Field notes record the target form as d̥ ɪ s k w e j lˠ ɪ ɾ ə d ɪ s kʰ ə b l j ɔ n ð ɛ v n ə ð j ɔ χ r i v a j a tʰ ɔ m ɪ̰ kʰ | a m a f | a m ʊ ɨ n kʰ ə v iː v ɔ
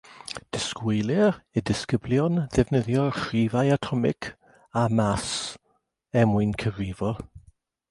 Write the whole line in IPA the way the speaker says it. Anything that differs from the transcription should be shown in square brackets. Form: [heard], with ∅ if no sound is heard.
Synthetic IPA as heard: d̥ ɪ s k w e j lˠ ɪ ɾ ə d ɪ s [k] ə b l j ɔ n ð ɛ v n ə ð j ɔ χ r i v a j a tʰ ɔ m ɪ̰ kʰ | a m a [s] | [ɛ] m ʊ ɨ n kʰ ə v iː v ɔ